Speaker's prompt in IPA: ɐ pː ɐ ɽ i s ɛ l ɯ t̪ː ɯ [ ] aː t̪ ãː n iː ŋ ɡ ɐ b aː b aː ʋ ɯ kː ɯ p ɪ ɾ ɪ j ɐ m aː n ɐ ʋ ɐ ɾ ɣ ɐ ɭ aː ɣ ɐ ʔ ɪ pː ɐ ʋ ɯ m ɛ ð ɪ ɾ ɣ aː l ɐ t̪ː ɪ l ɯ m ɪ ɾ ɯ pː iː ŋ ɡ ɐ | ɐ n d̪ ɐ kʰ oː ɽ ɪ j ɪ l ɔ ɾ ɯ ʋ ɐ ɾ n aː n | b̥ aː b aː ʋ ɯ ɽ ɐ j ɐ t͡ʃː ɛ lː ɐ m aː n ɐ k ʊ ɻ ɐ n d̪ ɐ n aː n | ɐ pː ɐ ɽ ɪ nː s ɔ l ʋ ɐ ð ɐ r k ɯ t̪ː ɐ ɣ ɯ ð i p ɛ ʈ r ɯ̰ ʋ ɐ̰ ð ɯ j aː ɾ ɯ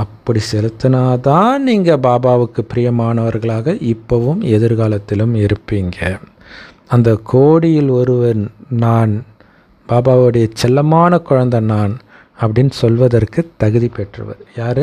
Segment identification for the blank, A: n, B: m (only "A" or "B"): A